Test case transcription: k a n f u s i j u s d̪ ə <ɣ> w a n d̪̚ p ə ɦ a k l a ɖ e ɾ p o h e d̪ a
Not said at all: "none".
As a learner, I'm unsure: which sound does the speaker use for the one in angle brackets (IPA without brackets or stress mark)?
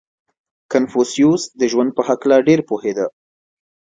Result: ʒ